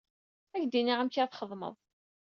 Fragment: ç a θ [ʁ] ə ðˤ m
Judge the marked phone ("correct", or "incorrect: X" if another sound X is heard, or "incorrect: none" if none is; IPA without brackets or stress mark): incorrect: χ